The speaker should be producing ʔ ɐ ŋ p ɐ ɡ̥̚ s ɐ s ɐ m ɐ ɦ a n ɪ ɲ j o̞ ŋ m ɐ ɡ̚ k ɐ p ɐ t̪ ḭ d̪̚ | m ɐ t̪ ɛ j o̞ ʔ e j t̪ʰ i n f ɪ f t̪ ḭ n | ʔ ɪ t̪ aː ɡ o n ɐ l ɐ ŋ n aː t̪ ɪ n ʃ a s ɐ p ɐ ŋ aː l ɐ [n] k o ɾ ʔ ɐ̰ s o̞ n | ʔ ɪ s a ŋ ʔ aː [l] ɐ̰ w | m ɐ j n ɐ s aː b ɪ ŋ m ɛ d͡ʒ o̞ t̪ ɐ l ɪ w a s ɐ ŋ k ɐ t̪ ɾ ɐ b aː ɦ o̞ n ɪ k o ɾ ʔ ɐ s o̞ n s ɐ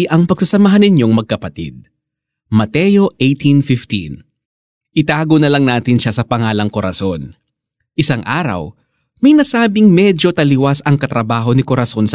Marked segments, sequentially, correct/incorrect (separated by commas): incorrect, incorrect